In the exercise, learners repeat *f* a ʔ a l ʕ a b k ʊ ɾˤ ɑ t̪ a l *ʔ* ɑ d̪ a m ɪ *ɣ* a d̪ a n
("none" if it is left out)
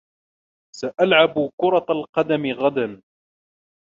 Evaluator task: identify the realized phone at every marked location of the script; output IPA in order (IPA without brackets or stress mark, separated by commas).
s, q, ɣ